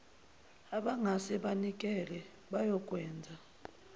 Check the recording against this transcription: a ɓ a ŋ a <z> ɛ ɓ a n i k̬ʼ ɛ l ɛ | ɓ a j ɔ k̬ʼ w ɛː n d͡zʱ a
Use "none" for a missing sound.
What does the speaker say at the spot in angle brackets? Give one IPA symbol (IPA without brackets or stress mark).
s